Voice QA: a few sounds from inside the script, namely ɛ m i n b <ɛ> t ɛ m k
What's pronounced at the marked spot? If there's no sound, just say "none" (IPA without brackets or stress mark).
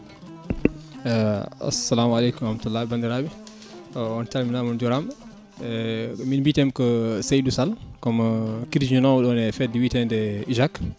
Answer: i